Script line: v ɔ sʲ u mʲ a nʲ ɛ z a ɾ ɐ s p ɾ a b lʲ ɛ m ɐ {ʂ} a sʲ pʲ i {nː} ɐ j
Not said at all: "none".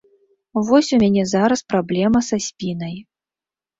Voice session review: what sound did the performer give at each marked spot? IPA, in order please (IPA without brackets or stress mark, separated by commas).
s, n